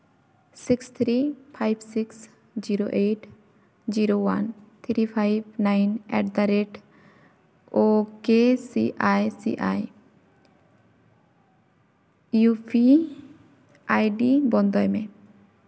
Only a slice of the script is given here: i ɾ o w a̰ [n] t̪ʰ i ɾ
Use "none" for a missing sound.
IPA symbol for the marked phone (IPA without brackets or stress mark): n